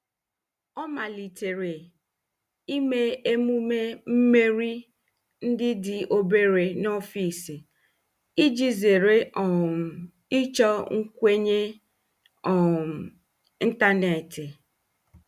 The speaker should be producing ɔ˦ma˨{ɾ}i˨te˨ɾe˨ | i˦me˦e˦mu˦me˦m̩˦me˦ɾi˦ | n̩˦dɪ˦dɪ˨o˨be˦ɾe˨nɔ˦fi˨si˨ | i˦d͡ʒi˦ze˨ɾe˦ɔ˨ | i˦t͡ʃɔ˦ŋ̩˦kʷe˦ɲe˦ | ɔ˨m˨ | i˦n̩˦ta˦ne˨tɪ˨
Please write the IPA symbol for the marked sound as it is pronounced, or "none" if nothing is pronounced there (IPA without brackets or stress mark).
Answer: l